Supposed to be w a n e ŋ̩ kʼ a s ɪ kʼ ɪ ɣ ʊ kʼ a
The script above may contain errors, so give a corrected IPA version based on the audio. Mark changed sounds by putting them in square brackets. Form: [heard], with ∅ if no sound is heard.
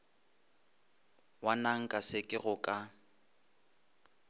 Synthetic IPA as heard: w a n [a] ŋ̩ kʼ a s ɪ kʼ ɪ ɣ ʊ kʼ a